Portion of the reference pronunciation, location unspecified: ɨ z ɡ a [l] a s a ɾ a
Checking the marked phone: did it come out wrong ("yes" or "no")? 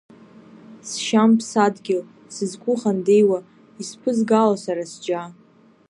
no